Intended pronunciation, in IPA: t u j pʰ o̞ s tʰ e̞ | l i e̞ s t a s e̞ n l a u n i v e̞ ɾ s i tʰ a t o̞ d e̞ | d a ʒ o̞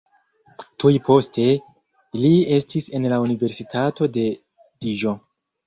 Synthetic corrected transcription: t u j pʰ o̞ s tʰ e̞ | l i e̞ s t i s e̞ n l a u n i v e̞ ɾ s i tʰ a t o̞ d e̞ | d i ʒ o̞